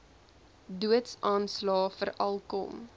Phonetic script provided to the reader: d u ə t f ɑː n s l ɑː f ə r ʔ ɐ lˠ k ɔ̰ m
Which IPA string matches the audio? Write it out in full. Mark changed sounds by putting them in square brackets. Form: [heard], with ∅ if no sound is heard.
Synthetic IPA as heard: d u ə t [s] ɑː n s l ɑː f ə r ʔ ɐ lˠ k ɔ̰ m